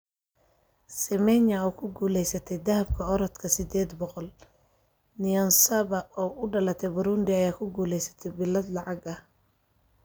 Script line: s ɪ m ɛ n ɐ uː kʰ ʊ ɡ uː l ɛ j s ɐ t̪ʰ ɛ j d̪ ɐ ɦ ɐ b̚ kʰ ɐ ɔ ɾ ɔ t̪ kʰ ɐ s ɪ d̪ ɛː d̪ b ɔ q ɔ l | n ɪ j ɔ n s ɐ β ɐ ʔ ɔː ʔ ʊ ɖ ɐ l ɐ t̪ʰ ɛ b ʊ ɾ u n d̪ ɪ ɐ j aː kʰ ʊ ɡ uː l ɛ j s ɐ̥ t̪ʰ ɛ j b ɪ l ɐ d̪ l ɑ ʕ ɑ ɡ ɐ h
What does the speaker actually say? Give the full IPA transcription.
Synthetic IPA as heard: s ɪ m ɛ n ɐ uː kʰ ʊ ɡ uː l ɛ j s ɐ t̪ʰ ɛ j d̪ ɐ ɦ ɐ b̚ kʰ ɐ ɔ ɾ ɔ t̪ kʰ ɐ s ɪ d̪ ɛː d̪ b ɔ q ɔ l | n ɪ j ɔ n s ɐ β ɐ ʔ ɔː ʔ ʊ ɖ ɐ l ɐ t̪ʰ ɛ b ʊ ɾ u n d̪ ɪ ɐ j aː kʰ ʊ ɡ uː l ɛ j s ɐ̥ t̪ʰ ɛ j b ɪ l ɐ d̪ l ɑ ʕ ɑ ɡ ɐ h